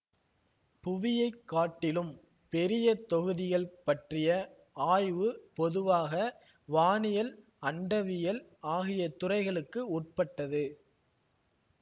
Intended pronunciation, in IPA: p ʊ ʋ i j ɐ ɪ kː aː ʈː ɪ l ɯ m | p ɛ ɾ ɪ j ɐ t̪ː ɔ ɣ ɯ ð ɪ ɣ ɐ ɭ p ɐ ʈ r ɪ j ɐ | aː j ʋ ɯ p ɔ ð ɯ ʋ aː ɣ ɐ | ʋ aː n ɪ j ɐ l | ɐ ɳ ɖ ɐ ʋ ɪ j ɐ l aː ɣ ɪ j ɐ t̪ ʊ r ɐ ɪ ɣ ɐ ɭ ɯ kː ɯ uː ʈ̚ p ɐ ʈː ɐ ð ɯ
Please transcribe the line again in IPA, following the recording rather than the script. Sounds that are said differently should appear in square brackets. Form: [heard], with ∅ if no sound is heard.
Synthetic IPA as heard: p ʊ ʋ [ɪ] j ɐ ɪ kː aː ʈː ɪ l ɯ m | p ɛ ɾ ɪ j ɐ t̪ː ɔ ɣ ɯ ð ɪ ɣ ɐ ɭ p ɐ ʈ r ɪ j ɐ | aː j ʋ ɯ p ɔ ð ɯ ʋ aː ɣ ɐ | ʋ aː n ɪ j ɐ l | ɐ ɳ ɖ ɐ ʋ ɪ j ɐ l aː ɣ ɪ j ɐ t̪ ʊ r ɐ ɪ ɣ ɐ ɭ ɯ kː ɯ uː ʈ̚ p ɐ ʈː ɐ ð ɯ